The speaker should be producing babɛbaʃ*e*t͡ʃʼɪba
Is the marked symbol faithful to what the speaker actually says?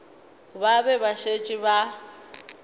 yes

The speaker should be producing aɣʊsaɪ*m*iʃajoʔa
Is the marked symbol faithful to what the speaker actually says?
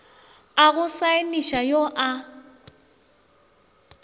no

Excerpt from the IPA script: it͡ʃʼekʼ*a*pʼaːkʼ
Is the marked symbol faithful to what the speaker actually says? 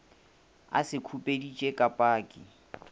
yes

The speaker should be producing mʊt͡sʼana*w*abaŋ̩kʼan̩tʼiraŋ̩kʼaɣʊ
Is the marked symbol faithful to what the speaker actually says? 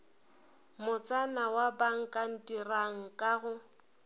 yes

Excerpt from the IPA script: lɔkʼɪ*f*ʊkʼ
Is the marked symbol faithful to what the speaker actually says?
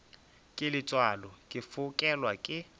yes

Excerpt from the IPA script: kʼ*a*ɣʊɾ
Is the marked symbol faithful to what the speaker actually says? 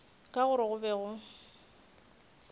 yes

